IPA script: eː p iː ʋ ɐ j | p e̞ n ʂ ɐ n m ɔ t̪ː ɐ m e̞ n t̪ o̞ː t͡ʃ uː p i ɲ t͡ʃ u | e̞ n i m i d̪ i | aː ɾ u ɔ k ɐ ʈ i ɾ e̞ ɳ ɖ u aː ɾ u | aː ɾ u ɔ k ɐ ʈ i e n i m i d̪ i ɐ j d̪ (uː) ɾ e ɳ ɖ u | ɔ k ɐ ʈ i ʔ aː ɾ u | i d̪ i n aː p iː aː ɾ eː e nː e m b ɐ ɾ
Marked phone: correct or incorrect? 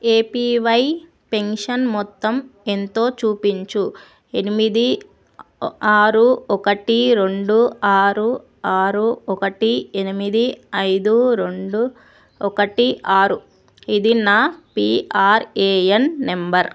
incorrect